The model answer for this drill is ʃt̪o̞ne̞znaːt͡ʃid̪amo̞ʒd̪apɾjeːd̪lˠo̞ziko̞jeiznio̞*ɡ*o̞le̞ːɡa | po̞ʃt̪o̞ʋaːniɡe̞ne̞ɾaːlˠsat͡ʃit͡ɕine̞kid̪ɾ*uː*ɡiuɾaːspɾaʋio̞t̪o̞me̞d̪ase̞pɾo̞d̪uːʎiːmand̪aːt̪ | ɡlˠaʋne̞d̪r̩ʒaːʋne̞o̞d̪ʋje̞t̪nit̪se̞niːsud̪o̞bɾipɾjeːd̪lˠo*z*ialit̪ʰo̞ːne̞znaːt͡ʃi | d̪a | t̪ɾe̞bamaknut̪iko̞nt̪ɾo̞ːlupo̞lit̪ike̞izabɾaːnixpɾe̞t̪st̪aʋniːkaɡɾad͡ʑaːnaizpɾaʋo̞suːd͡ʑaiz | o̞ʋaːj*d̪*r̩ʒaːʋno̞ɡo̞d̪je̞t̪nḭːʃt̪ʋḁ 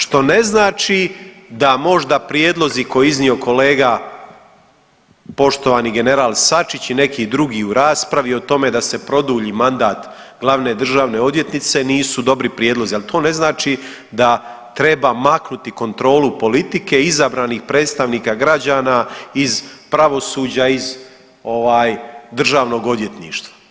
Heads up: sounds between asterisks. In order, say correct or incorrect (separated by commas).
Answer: incorrect, incorrect, correct, correct